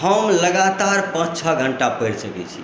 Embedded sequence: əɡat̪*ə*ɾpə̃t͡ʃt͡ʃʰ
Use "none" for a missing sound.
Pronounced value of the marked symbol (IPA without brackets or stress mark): a